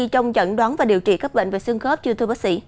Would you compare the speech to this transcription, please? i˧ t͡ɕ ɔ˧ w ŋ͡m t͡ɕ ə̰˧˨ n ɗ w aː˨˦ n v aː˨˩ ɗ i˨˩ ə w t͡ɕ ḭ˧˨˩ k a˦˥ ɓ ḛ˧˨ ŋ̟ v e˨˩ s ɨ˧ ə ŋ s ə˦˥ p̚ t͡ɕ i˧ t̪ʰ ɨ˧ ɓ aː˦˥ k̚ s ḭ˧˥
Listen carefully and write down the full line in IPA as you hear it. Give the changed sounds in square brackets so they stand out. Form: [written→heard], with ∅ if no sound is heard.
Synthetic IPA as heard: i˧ t͡ɕ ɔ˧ w ŋ͡m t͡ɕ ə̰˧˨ n ɗ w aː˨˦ n v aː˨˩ ɗ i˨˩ ə w t͡ɕ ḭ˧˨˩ k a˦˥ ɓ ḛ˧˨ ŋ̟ v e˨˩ s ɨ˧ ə ŋ [s→x] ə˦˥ p̚ t͡ɕ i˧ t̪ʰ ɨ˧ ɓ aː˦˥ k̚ s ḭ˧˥